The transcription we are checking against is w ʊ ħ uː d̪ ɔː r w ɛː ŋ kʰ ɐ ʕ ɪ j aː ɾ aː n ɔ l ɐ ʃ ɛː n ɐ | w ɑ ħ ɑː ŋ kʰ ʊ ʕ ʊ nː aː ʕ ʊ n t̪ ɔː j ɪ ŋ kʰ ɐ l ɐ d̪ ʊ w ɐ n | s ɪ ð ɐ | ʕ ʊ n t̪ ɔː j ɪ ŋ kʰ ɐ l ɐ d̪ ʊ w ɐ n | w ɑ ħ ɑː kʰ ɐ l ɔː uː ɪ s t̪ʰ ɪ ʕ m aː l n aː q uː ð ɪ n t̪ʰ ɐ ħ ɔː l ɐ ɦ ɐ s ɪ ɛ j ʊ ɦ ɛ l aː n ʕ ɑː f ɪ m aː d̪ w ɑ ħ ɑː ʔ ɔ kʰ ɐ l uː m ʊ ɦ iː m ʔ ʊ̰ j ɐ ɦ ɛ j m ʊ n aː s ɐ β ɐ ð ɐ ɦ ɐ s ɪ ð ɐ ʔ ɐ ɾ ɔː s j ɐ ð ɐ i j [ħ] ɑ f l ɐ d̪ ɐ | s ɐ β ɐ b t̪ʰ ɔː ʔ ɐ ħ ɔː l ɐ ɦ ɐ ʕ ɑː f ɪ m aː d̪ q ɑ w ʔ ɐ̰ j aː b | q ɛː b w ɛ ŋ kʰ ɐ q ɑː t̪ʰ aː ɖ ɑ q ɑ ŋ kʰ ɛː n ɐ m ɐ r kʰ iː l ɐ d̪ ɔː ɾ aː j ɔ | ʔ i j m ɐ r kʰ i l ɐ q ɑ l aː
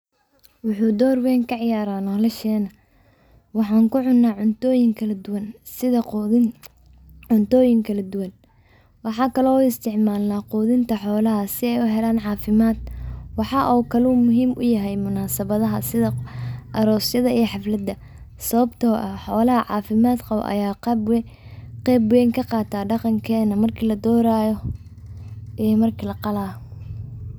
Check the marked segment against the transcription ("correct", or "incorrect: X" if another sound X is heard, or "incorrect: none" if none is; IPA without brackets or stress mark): correct